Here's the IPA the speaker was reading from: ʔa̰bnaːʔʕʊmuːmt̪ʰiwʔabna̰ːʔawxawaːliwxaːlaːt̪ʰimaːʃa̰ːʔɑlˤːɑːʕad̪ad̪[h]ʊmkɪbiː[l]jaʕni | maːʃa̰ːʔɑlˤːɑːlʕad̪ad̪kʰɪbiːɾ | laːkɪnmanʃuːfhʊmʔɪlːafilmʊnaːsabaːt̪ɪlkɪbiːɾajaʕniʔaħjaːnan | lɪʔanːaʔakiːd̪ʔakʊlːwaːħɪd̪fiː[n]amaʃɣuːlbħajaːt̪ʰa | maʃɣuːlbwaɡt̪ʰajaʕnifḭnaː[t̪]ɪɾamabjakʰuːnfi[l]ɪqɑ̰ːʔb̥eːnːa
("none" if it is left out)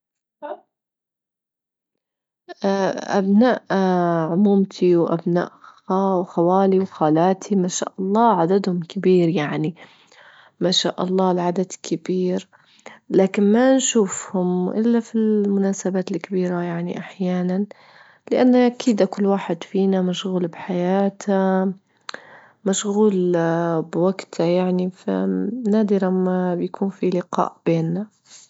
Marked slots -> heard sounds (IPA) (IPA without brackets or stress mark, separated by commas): h, ɾ, n, d̪, l